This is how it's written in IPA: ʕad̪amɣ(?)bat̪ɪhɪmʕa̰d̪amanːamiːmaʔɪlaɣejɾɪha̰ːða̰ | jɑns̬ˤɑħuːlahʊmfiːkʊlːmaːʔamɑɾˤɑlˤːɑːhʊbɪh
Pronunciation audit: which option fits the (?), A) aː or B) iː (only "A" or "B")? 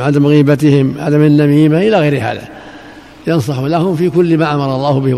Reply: B